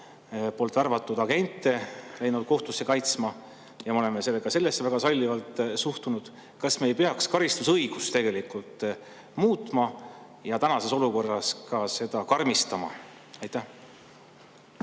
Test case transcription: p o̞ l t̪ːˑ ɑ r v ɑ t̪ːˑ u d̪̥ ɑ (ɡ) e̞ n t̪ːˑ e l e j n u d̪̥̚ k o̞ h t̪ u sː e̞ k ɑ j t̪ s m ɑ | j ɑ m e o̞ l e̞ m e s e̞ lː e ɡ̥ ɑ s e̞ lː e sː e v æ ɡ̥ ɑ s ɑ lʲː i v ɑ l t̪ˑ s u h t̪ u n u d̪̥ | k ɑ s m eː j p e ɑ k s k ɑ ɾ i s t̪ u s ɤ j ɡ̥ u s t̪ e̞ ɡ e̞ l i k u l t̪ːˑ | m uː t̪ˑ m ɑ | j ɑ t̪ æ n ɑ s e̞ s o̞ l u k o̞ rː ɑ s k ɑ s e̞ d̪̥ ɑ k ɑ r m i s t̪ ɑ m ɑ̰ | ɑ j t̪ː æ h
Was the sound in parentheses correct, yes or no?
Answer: yes